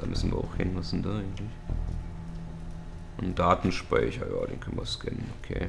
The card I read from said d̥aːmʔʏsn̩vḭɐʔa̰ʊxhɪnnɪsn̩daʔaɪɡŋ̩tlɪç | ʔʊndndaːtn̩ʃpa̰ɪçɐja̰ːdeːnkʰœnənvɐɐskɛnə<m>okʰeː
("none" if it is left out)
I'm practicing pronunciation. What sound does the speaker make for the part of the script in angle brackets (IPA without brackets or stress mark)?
n